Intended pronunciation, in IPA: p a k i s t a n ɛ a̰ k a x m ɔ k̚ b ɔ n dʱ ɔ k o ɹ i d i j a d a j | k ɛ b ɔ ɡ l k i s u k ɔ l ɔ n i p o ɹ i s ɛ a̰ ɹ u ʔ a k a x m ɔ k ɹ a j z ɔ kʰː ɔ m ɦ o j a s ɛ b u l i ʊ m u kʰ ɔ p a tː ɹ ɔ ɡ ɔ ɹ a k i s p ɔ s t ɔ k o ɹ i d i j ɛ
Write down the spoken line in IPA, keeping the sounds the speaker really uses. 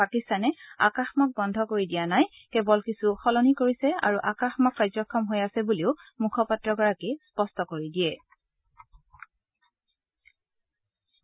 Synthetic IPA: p a k i s t a n ɛ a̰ k a x m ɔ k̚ b ɔ n dʱ ɔ k o ɹ i d i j a n a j | k ɛ b ɔ l k i s u x ɔ l ɔ n i k o ɹ i s ɛ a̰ ɹ u ʔ a k a x m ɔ k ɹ a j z ɔ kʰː ɔ m ɦ o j a s ɛ b u l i ʊ m u kʰ ɔ p a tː ɹ ɔ ɡ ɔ ɹ a k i s p ɔ s t ɔ k o ɹ i d i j ɛ